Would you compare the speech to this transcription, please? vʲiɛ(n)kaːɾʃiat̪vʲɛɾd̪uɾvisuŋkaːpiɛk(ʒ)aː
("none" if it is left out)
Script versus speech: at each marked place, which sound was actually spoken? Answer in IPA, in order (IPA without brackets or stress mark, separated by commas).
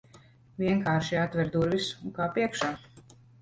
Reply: ŋ, ʃ